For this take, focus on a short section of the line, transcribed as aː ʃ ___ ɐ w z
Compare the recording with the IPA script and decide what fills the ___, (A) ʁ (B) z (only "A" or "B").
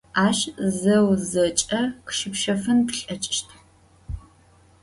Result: B